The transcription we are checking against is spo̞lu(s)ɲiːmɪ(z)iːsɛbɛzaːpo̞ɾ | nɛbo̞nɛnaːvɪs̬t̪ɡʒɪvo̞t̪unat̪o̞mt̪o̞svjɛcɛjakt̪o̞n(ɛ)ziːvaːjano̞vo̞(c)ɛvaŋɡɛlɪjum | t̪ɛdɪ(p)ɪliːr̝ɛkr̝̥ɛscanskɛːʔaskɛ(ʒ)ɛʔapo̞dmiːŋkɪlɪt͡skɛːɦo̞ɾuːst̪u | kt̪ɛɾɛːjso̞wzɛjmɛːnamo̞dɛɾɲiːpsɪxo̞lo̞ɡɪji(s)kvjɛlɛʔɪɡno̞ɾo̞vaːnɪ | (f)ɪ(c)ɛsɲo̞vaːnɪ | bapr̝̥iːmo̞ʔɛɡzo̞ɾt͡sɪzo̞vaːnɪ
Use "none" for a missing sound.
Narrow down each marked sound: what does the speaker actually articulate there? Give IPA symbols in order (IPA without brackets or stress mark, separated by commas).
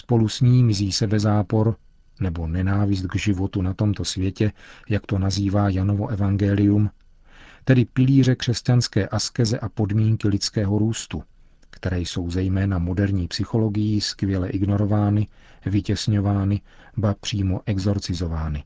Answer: s, z, a, ʔ, p, z, s, v, c